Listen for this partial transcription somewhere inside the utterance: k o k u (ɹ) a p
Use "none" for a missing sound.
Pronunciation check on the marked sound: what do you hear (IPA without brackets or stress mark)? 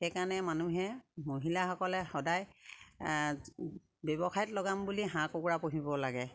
ɹ